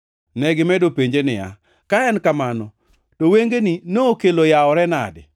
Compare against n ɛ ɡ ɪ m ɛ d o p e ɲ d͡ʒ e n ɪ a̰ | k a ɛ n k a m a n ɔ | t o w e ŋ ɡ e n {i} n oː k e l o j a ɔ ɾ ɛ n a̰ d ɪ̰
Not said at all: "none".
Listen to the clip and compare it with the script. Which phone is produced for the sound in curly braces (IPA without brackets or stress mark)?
i